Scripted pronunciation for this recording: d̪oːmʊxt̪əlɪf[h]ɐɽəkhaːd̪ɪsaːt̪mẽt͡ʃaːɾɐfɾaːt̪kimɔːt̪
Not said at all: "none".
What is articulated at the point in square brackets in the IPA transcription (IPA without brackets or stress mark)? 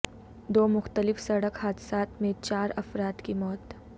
s